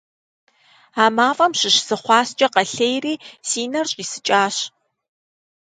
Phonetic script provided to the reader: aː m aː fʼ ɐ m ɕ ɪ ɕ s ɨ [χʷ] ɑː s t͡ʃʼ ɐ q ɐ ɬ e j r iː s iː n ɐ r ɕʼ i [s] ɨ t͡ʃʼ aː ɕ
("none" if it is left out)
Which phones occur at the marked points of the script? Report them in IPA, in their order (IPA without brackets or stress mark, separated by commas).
χʷ, s